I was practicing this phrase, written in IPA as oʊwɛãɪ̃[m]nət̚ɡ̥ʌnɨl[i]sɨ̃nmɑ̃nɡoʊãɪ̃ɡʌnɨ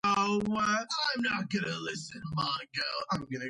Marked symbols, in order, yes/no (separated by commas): yes, no